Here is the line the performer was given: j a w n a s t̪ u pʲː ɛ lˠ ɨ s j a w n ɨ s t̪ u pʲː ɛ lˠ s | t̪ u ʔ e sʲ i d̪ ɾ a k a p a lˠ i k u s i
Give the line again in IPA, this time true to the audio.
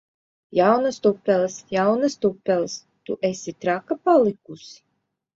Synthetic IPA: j a w n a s t̪ u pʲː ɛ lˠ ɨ s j a w n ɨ s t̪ u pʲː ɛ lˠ s | t̪ u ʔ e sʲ i t̪ ɾ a k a p a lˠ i k u s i